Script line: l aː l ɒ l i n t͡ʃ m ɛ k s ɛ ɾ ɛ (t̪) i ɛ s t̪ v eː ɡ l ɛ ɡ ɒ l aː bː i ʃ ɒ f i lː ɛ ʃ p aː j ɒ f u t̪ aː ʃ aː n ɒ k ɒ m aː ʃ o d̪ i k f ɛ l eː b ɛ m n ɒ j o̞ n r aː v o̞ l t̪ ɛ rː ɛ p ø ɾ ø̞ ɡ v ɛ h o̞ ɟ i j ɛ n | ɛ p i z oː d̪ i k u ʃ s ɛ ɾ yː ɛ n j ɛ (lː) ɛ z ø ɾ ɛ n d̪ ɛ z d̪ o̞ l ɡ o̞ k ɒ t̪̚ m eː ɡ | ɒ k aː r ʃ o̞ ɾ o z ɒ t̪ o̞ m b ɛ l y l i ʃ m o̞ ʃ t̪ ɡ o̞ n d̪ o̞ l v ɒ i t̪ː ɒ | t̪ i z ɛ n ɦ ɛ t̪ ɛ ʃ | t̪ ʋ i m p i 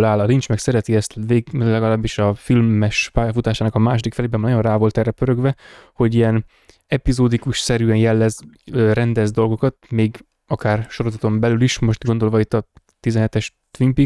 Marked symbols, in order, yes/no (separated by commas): yes, yes